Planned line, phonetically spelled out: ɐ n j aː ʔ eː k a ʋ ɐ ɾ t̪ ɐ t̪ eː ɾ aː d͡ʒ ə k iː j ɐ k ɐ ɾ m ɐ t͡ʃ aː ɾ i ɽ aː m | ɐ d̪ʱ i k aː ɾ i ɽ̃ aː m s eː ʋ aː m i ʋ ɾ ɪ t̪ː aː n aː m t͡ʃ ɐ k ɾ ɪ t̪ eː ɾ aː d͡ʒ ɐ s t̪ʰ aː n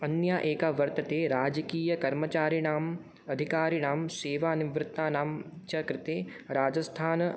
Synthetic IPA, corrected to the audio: ɐ n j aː ʔ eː k a ʋ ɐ ɾ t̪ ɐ t̪ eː ɾ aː d͡ʒ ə k iː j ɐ k ɐ ɾ m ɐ t͡ʃ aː ɾ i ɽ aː m | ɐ d̪ʱ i k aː ɾ i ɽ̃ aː m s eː ʋ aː n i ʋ ɾ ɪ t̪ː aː n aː m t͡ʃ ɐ k ɾ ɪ t̪ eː ɾ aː d͡ʒ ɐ s t̪ʰ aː n